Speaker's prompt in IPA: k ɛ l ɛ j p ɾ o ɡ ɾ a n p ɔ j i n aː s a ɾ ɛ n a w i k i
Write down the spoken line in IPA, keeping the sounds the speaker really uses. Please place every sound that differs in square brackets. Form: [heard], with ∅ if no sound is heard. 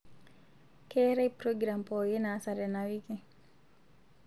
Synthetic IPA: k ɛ [ɾ] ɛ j p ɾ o ɡ ɾ a [m] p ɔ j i n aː s a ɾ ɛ n a w i k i